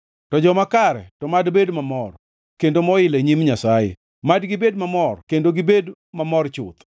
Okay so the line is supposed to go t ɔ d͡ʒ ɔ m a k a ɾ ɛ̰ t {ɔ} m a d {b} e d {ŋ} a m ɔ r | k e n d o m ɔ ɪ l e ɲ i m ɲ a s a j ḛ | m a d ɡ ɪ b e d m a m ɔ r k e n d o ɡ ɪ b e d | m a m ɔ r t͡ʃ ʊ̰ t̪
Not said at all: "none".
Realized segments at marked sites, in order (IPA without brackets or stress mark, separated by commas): ɔ, b, m